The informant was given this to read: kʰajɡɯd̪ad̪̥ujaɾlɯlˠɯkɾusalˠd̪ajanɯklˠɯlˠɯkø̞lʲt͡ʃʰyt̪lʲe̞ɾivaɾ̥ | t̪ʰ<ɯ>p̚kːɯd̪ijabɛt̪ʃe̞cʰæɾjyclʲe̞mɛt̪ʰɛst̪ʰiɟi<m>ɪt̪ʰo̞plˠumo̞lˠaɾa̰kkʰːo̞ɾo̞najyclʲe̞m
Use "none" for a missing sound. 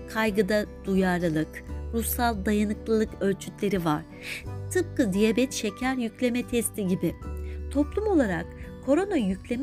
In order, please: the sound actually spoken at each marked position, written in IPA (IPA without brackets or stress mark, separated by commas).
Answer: ɯ, b